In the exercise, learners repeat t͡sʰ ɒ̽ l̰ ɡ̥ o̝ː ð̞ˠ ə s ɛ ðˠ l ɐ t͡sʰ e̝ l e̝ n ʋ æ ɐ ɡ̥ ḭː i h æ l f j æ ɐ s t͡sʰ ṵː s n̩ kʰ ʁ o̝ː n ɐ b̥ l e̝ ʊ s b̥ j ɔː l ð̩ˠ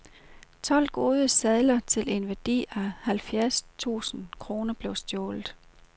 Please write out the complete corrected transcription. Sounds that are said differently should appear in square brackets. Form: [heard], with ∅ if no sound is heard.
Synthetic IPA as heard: t͡sʰ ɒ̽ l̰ ɡ̥ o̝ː ð̞ˠ ə s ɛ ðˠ l ɐ t͡sʰ e̝ l e̝ n ʋ æ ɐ [d̥] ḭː [æ] h æ l f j æ ɐ s t͡sʰ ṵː s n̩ kʰ ʁ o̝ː n ɐ b̥ l e̝ ʊ s [d̥] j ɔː l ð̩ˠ